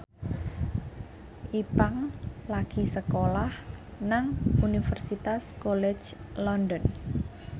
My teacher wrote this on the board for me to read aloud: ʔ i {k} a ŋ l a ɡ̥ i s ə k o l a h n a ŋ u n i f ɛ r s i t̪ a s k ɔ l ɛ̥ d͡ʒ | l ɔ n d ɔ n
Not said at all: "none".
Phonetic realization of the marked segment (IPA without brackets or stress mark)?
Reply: p